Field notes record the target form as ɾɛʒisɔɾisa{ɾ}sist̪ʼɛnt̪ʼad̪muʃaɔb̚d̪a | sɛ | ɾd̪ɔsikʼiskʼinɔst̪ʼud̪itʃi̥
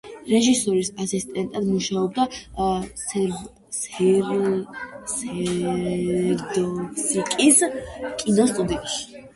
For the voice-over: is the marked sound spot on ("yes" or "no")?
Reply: no